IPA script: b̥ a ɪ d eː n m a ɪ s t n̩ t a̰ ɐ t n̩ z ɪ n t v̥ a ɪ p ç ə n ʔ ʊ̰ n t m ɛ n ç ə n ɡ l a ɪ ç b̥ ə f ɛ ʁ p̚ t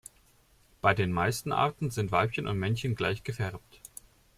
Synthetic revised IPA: b̥ a ɪ d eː n m a ɪ s t n̩ ʔ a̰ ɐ t n̩ z ɪ n t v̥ a ɪ p ç ə n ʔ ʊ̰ n t m ɛ n ç ə n ɡ l a ɪ ç ɡ̥ ə f ɛ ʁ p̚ t